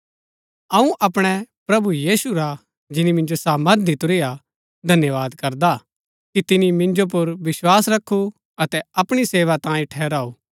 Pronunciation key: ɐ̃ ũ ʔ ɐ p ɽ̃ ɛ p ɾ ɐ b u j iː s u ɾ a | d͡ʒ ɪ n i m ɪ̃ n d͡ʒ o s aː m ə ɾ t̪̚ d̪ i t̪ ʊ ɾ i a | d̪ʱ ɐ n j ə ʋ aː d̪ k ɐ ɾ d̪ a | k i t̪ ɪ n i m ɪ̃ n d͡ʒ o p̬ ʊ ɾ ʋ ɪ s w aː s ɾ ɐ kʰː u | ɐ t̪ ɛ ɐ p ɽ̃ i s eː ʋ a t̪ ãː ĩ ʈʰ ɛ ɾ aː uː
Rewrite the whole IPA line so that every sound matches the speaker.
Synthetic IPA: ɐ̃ ũ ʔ ɐ p ɽ̃ ɛ p ɾ ɐ b u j iː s u ɾ a | d͡ʒ ɪ n i m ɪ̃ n d͡ʒ o s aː m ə ɾ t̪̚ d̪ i t̪ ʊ ɾ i a | d̪ʱ ɐ n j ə ʋ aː d̪ k ɐ ɾ d̪ a | k i t̪ ɪ n i m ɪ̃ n d͡ʒ o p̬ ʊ ɾ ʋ ɪ s w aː s ɾ ɐ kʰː u | ɐ t̪ ɛ ɐ p ɽ̃ i s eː ʋ a t̪ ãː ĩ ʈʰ ɛː ɾ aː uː